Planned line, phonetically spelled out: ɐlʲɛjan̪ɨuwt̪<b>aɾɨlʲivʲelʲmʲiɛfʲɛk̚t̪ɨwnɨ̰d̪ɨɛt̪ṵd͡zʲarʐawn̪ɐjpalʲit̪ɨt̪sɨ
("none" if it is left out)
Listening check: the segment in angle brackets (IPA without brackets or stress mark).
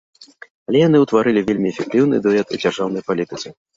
v